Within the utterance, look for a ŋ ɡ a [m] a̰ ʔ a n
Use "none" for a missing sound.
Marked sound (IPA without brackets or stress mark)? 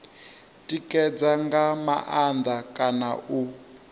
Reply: m